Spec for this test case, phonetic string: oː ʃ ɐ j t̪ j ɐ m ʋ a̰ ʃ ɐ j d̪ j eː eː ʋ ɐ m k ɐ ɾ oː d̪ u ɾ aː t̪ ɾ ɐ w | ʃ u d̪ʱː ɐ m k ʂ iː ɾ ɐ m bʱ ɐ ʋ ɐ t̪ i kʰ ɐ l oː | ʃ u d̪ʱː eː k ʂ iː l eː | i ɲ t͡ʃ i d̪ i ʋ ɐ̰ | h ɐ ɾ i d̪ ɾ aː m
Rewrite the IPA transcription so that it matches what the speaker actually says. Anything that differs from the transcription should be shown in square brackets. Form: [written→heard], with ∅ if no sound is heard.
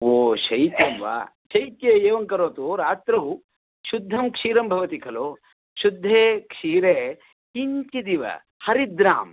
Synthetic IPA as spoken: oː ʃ ɐ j t̪ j ɐ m ʋ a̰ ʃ ɐ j [d̪→t̪] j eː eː ʋ ɐ [m→ŋ] k ɐ ɾ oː [d̪→t̪] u ɾ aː t̪ ɾ ɐ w | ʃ u d̪ʱː ɐ m k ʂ iː ɾ ɐ m bʱ ɐ ʋ ɐ t̪ i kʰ ɐ l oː | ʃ u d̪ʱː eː k ʂ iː [l→ɾ] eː | i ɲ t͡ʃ i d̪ i ʋ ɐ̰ | h ɐ ɾ i d̪ ɾ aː m